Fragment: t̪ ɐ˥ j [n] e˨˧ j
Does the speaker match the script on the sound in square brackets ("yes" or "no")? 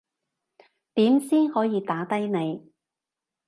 yes